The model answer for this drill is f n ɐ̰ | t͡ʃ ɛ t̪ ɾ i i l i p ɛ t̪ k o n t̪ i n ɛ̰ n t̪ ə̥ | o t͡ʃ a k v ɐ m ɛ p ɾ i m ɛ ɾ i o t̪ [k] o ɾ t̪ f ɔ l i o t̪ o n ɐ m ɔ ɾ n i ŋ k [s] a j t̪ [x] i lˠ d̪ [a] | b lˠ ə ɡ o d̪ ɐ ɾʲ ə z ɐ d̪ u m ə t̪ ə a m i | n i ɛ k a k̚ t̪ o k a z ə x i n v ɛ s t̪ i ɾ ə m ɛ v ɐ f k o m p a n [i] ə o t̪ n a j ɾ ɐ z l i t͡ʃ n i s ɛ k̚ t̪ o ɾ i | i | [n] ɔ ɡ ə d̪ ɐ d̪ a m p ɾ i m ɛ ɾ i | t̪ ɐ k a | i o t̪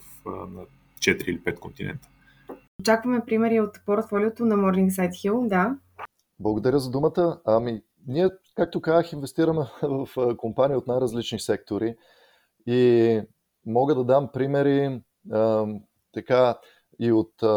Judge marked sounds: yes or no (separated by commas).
no, yes, yes, yes, yes, no